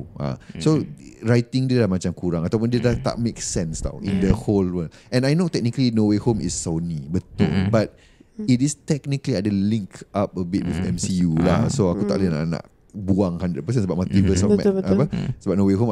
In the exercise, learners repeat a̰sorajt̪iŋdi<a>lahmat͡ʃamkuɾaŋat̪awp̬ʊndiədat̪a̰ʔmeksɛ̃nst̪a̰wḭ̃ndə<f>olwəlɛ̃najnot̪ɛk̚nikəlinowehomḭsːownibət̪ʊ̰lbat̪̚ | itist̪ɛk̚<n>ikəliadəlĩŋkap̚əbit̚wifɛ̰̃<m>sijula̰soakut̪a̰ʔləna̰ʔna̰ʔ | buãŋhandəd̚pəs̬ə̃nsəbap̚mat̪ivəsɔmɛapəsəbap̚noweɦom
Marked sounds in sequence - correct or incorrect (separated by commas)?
incorrect, incorrect, correct, correct